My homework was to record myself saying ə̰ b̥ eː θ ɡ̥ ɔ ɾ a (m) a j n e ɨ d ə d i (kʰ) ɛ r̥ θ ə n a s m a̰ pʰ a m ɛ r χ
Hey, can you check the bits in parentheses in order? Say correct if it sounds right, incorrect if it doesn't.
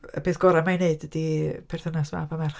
correct, incorrect

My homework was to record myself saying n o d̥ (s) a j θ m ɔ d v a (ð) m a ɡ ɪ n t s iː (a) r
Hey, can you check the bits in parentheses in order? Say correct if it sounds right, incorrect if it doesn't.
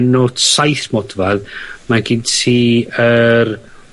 correct, correct, incorrect

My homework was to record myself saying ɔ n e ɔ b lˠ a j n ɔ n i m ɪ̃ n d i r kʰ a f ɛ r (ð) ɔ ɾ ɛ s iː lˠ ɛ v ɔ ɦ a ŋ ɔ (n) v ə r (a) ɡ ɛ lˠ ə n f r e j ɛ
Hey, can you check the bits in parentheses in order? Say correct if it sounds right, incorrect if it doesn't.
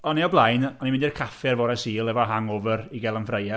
incorrect, incorrect, incorrect

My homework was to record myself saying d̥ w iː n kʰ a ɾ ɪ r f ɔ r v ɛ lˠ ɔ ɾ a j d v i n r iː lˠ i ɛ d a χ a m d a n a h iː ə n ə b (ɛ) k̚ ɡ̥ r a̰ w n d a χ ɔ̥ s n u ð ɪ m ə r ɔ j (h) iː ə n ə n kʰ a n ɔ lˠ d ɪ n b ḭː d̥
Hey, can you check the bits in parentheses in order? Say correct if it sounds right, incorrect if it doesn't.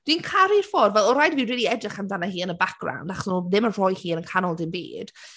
incorrect, correct

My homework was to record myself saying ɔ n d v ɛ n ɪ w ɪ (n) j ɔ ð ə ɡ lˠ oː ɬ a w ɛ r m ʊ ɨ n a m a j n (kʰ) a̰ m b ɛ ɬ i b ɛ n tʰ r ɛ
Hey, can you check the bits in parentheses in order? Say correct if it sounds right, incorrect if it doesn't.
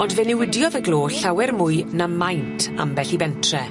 incorrect, incorrect

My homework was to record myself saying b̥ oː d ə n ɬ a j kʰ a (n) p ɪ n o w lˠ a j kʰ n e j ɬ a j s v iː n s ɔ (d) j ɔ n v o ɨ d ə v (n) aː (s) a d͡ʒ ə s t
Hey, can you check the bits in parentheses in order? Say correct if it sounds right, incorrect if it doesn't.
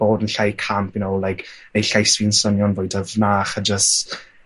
incorrect, incorrect, correct, incorrect

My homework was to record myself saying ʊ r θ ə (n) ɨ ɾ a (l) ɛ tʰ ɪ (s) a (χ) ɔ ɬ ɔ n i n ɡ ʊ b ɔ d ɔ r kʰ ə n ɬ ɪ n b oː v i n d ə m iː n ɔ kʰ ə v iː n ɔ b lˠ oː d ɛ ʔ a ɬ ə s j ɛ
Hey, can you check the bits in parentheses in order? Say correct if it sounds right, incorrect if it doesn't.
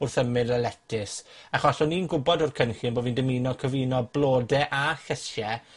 incorrect, correct, correct, correct

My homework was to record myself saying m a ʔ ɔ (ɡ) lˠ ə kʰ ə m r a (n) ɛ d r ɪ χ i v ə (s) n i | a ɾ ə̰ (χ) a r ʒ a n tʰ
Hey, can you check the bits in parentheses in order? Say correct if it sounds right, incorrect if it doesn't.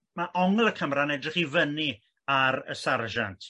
incorrect, correct, incorrect, incorrect

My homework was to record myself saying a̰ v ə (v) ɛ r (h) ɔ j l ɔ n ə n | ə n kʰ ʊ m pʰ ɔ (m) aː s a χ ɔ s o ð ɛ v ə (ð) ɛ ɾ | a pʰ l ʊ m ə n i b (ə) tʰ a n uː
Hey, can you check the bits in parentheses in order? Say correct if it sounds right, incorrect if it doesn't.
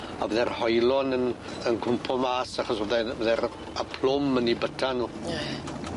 incorrect, correct, correct, correct, correct

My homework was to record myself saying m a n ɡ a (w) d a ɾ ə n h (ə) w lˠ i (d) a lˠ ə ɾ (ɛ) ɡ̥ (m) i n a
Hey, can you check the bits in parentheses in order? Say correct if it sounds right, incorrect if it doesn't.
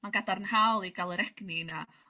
incorrect, incorrect, incorrect, correct, incorrect

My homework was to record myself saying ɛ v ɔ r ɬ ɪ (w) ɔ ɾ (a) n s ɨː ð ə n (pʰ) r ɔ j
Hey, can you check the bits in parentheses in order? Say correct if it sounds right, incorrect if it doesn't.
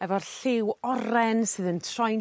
correct, incorrect, incorrect

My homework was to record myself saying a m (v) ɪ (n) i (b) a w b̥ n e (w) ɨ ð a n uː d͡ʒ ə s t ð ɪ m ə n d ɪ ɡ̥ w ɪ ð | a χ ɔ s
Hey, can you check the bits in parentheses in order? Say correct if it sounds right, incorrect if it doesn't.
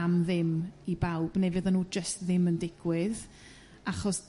incorrect, incorrect, correct, incorrect

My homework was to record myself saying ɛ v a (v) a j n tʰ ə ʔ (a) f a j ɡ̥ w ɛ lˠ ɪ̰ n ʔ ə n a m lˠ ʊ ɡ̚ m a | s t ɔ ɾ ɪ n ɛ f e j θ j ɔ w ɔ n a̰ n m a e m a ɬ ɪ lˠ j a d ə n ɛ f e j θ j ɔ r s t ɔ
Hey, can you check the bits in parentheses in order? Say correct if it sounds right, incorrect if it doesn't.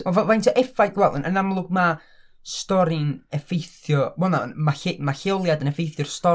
correct, incorrect

